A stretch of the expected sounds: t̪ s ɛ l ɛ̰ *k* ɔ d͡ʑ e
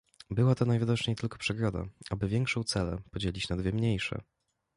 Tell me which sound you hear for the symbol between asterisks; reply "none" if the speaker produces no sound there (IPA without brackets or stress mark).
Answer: p